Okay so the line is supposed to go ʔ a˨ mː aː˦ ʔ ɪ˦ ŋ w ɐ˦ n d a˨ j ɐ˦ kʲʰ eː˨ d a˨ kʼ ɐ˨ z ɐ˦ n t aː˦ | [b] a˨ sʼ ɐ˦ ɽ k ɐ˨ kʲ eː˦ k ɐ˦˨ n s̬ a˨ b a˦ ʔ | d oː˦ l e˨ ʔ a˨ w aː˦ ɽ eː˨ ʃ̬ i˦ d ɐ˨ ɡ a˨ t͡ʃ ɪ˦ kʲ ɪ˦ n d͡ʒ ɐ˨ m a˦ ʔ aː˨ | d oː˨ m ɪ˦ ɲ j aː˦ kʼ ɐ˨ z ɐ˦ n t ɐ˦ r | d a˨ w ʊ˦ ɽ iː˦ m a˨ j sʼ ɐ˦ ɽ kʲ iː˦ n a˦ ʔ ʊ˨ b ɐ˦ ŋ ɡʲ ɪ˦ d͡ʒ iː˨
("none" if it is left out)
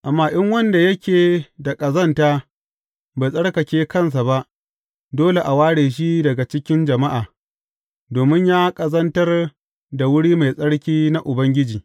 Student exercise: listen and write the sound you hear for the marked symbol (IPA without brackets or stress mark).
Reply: b